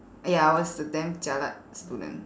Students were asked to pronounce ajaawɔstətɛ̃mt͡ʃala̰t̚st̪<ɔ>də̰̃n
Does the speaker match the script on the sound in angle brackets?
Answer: no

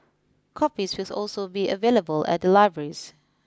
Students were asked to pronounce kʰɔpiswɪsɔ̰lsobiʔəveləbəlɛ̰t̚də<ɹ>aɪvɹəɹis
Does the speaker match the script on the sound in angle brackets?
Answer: no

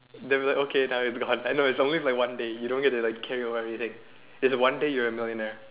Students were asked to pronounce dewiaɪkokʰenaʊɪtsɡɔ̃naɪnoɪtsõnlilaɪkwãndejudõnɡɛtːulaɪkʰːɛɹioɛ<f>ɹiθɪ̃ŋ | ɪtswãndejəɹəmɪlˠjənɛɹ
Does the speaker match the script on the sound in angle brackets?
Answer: no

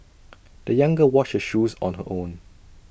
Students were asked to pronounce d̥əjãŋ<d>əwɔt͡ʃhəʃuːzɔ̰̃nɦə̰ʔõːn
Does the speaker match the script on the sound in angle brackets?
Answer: no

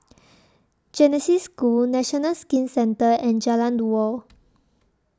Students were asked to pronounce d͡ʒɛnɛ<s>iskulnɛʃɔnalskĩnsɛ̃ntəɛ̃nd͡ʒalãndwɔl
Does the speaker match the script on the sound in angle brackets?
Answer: yes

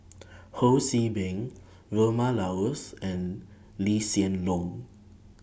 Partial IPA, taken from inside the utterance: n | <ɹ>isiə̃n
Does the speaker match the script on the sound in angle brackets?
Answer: no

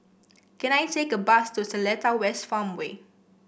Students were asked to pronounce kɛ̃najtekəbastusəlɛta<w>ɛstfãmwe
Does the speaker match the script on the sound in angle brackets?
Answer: yes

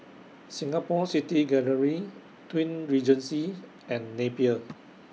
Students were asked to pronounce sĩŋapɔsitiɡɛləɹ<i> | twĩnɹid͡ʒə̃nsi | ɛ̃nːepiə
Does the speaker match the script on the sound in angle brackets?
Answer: yes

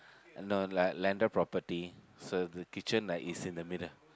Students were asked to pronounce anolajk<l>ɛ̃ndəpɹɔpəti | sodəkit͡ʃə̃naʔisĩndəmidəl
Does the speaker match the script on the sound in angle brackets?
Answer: yes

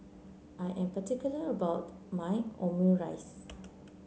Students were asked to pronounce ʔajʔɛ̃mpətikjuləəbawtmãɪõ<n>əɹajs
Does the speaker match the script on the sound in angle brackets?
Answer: no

